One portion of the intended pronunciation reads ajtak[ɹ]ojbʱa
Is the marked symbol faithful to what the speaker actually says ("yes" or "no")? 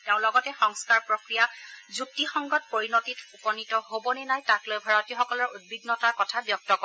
no